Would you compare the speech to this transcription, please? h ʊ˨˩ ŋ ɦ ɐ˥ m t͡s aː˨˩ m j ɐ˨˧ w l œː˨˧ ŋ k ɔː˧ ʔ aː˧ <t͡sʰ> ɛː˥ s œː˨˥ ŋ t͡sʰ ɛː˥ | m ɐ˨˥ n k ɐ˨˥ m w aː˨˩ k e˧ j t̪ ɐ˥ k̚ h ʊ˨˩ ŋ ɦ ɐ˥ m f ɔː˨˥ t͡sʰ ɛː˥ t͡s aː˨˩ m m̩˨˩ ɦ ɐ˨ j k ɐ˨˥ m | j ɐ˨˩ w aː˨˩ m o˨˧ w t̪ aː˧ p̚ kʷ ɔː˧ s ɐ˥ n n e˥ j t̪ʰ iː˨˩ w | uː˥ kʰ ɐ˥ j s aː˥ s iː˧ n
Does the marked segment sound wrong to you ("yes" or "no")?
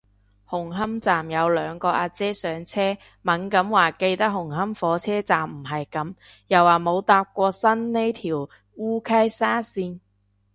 yes